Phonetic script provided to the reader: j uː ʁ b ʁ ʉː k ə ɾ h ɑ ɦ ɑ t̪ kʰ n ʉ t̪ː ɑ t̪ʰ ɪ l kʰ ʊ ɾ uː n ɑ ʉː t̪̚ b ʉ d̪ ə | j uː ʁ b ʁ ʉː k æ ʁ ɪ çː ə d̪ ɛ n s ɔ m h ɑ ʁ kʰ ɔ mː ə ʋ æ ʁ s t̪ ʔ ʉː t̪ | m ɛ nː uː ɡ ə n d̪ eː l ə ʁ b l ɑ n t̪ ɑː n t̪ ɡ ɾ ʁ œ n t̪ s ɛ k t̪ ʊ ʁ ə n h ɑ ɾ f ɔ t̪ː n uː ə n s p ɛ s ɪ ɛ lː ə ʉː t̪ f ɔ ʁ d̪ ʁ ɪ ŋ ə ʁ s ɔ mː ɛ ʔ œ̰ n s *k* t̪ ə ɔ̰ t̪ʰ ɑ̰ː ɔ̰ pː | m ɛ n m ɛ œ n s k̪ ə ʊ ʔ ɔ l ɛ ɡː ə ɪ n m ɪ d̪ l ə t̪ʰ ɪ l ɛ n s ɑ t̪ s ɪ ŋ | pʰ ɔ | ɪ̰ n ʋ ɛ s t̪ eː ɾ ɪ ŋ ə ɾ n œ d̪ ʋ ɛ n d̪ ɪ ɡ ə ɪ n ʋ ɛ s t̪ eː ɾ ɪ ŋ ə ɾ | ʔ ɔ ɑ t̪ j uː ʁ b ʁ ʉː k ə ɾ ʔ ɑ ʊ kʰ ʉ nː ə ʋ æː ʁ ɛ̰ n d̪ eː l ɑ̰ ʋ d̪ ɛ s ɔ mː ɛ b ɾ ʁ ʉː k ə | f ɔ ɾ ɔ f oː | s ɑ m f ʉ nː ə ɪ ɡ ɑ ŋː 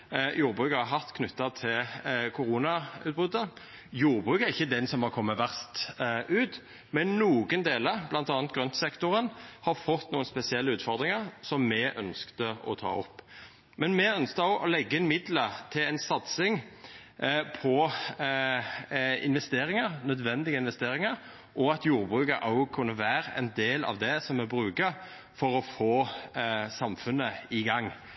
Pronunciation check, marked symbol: correct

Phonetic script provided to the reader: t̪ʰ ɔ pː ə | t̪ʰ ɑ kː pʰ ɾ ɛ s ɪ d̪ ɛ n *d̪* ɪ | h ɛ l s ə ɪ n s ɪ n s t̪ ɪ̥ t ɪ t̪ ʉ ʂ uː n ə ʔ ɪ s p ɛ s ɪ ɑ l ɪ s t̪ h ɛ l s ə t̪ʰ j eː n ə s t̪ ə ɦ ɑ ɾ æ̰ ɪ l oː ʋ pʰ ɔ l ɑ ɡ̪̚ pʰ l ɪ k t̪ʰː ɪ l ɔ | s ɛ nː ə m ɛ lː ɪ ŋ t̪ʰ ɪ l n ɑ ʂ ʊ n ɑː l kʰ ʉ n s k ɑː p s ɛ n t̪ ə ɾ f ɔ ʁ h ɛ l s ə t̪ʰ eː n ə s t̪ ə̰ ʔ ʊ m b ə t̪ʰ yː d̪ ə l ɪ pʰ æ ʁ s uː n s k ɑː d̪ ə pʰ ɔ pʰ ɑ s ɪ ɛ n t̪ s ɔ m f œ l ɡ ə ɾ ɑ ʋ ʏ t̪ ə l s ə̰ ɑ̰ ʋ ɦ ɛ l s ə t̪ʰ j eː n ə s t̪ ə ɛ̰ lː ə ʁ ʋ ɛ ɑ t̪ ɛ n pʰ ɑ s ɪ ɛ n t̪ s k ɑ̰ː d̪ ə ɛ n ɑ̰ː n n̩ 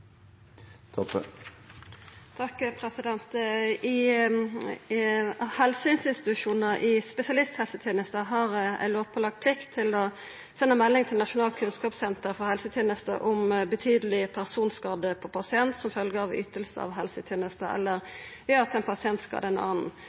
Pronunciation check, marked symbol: incorrect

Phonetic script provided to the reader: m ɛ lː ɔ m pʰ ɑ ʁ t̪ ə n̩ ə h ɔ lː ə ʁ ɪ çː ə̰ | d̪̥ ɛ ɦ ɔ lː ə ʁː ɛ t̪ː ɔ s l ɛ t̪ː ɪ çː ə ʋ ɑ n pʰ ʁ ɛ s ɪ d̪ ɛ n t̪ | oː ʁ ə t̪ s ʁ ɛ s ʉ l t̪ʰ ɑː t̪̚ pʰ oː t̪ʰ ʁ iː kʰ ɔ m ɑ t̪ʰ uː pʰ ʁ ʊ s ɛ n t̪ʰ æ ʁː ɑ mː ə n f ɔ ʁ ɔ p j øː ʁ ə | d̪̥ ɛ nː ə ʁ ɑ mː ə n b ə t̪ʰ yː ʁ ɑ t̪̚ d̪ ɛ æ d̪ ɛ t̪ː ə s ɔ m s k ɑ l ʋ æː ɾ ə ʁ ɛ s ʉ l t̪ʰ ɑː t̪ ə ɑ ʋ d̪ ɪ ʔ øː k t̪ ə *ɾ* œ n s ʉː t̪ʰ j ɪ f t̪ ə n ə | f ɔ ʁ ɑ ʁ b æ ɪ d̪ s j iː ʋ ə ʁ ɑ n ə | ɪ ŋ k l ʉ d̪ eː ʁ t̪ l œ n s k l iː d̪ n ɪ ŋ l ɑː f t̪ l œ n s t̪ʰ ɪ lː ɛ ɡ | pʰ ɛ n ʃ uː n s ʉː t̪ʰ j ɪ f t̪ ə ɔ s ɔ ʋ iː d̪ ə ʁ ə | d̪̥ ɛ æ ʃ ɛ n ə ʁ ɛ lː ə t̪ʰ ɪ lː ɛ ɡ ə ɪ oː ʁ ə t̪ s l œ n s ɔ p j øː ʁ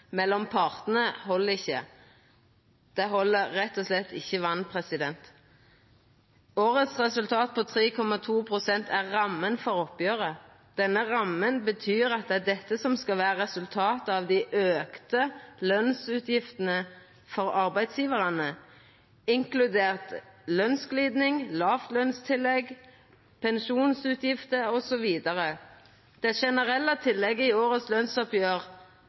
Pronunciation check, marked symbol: incorrect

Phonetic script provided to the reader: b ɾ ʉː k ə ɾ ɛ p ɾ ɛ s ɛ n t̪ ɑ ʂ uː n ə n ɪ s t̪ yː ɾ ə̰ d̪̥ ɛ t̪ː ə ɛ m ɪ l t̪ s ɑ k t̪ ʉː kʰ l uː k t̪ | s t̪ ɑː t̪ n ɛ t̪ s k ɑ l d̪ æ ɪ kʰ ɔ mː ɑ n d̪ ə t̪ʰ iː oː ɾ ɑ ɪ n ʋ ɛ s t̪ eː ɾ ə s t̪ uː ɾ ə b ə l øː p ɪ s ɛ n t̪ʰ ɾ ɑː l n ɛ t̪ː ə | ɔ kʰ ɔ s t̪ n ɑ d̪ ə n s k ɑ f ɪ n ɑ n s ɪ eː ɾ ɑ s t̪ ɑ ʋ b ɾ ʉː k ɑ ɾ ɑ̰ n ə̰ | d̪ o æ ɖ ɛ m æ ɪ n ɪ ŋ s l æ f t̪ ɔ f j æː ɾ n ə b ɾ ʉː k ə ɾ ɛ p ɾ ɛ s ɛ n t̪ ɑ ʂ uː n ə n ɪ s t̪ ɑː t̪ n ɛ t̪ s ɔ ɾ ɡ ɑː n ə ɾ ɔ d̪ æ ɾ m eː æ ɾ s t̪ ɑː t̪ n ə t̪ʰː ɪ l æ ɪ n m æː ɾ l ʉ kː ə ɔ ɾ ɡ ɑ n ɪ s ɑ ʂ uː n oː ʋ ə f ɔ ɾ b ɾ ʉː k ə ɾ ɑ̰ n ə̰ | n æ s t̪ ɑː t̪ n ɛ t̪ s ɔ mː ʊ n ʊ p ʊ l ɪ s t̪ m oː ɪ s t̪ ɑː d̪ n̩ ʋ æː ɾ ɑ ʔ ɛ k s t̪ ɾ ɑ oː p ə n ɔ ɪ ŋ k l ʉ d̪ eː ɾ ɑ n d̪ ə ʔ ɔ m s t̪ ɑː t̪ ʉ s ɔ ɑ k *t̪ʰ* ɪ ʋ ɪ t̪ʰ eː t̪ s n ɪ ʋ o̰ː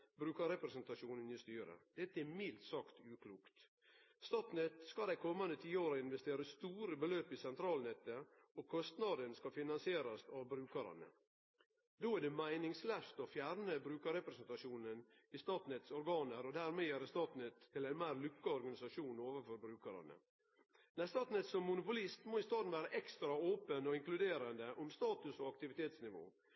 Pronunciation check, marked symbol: incorrect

